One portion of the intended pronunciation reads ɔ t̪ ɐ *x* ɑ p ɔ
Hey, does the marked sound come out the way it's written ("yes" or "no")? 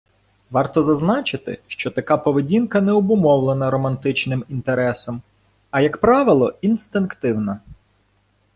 no